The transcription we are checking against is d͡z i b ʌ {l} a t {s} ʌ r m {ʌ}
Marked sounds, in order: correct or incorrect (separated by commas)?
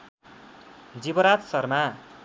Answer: incorrect, correct, incorrect